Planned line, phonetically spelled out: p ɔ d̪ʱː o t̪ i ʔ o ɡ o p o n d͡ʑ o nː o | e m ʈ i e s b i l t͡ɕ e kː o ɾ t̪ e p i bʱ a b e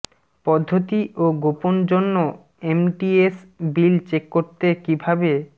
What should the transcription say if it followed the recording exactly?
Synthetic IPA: p ɔ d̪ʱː o t̪ i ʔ o ɡ o p o n d͡ʑ o nː o | e m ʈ i e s b i l t͡ɕ e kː o ɾ t̪ e k i bʱ a b e